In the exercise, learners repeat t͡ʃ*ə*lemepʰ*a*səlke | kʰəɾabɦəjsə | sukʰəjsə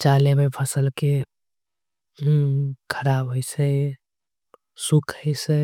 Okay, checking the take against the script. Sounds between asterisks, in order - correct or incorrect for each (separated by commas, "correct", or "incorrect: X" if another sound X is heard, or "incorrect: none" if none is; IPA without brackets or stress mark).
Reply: incorrect: a, incorrect: ə